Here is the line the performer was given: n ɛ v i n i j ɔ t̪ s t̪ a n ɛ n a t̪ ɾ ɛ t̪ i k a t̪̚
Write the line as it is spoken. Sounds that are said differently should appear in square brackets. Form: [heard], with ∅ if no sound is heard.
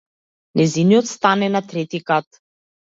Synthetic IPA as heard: n ɛ [z] i n i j ɔ t̪ s t̪ a n ɛ n a t̪ ɾ ɛ t̪ i k a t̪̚